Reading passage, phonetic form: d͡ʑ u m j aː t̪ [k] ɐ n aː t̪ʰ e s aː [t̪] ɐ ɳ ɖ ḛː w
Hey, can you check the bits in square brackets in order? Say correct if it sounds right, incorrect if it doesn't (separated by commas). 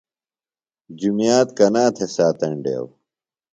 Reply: correct, correct